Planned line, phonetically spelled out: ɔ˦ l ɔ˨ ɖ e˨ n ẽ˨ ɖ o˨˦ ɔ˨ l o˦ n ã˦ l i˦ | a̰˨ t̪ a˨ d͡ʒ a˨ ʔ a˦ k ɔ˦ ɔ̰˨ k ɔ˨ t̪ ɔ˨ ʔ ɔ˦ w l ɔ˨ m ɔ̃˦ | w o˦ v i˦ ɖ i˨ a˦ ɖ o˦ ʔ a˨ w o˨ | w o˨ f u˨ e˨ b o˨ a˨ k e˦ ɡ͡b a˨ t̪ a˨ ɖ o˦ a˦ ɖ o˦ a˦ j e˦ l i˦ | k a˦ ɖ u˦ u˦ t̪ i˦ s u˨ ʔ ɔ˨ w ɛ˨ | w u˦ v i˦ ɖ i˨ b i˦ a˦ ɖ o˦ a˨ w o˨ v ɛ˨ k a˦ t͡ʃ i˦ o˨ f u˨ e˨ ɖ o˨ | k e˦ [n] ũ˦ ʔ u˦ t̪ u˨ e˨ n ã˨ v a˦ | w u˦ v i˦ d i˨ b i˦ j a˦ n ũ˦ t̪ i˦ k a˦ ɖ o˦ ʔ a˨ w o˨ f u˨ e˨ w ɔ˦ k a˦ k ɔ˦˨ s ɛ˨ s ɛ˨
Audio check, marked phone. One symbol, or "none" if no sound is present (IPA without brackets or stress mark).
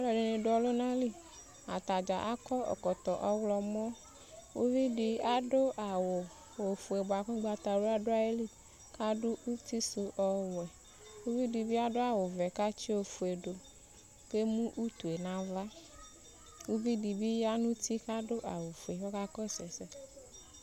m